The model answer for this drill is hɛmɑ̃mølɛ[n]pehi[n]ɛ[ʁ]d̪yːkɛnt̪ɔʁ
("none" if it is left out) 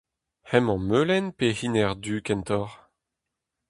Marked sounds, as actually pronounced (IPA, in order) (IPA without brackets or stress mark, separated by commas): n, n, ʁ